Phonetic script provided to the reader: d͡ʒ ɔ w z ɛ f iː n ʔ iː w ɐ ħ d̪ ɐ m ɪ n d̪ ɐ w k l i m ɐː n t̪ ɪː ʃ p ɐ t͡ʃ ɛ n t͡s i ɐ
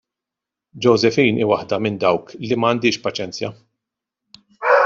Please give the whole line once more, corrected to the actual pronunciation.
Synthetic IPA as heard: d͡ʒ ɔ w z ɛ f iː n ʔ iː w ɐ ħ d̪ ɐ m ɪ n d̪ ɐ w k l i m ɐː n d̪ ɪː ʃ p ɐ t͡ʃ ɛ n t͡s j ɐ